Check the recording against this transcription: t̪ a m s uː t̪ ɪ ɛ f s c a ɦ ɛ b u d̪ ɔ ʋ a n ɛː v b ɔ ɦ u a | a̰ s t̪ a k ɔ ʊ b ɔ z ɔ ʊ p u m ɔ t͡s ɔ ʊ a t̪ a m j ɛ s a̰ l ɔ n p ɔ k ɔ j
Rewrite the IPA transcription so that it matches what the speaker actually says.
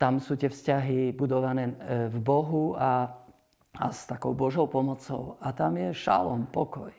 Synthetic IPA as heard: t̪ a m s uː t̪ ɪ ɛ f s c a ɦ i b u d̪ ɔ ʋ a n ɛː v b ɔ ɦ u a | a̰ s t̪ a k ɔ ʊ b ɔ ʒ ɔ ʊ p ɔ m ɔ t͡s ɔ ʊ a t̪ a m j ɛ ʃ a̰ l ɔ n p ɔ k ɔ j